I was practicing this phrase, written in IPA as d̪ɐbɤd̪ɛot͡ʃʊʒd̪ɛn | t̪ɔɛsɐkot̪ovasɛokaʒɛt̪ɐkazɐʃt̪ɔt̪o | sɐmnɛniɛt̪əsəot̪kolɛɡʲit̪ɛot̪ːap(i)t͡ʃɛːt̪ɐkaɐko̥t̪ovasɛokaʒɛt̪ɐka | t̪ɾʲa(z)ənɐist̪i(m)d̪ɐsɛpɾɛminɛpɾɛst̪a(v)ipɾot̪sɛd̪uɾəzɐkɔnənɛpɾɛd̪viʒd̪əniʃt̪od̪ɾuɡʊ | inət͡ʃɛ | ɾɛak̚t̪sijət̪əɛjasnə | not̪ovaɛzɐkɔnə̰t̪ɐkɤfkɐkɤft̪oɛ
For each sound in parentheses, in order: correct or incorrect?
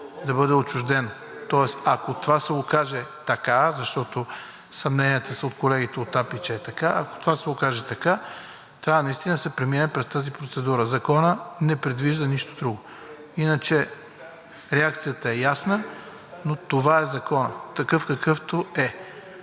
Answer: correct, incorrect, incorrect, incorrect

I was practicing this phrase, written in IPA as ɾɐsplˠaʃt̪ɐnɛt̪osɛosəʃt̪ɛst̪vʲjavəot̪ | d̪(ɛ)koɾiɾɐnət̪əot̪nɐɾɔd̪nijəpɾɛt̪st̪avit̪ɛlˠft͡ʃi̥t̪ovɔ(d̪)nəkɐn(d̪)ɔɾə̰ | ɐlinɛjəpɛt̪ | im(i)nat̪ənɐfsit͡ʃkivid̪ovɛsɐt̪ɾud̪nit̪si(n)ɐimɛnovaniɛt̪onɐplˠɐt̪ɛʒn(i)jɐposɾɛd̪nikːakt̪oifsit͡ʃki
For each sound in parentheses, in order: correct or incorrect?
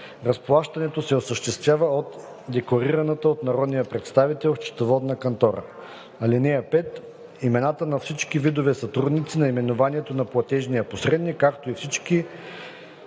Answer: correct, correct, incorrect, incorrect, correct, correct

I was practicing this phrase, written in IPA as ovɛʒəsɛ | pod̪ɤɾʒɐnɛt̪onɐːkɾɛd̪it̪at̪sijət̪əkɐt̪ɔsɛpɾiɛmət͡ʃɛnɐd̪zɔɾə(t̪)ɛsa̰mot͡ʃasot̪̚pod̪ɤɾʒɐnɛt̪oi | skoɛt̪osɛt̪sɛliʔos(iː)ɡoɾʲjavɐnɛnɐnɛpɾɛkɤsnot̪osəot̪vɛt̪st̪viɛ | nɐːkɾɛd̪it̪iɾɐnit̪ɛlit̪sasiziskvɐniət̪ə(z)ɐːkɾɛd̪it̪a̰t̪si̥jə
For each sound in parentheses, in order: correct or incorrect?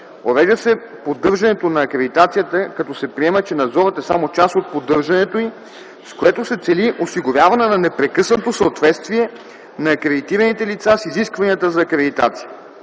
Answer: correct, incorrect, correct

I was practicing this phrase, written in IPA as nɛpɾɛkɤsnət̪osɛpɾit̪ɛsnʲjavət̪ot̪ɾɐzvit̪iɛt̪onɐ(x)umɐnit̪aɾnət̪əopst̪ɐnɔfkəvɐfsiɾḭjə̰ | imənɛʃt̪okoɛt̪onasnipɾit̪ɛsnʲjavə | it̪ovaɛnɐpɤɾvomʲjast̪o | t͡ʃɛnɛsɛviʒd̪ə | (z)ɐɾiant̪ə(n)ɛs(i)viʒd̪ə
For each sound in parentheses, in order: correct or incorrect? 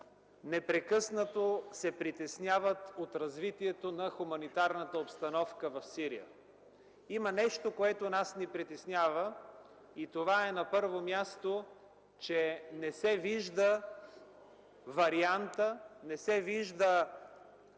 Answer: correct, incorrect, correct, incorrect

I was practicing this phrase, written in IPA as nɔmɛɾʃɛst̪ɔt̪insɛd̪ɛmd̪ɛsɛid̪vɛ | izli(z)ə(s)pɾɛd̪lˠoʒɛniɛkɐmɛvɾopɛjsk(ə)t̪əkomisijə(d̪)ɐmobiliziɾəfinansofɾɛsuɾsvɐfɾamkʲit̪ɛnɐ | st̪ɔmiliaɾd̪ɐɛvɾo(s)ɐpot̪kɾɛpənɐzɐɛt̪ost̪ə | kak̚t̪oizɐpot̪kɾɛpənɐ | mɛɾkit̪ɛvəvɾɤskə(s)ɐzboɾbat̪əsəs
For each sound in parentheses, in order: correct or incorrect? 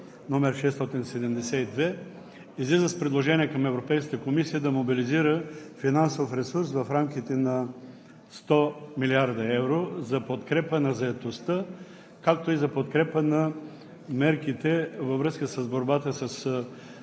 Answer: correct, correct, correct, correct, incorrect, correct

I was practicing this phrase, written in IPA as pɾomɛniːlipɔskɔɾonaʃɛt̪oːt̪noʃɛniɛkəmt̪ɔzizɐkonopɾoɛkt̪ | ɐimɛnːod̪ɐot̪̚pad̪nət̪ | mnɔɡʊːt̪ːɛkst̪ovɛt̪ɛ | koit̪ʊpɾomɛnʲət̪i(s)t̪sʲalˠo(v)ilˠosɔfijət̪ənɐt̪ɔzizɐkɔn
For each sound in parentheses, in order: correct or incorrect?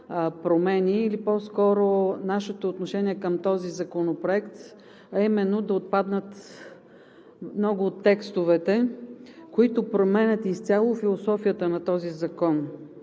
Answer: correct, incorrect

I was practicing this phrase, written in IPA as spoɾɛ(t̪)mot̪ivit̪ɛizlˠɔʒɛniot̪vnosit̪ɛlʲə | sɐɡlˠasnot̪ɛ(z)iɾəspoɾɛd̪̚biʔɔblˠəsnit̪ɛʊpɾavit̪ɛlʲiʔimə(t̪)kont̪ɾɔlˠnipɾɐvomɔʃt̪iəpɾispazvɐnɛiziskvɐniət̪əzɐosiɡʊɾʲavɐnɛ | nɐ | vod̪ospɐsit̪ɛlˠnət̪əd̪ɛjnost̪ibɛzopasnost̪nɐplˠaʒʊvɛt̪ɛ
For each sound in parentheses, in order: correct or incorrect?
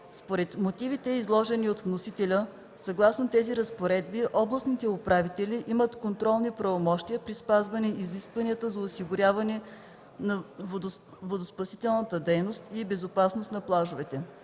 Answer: correct, correct, correct

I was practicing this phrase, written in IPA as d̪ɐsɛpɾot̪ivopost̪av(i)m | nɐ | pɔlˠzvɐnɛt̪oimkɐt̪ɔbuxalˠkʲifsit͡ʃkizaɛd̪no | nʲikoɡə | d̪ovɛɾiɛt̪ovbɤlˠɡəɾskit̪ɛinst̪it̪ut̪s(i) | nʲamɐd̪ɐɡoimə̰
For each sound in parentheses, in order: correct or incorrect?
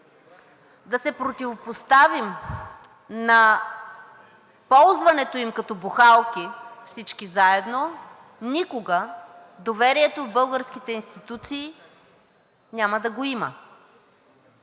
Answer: correct, incorrect

